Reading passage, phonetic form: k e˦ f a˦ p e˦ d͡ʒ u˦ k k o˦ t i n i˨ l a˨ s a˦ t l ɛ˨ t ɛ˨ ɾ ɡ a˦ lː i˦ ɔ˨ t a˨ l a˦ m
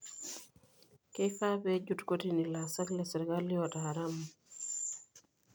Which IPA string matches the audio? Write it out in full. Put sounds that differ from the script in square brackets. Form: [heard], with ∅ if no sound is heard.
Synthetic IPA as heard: k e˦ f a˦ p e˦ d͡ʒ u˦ [t] k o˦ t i n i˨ l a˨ s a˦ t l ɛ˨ [s] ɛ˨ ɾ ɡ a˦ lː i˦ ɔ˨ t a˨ [ɾ] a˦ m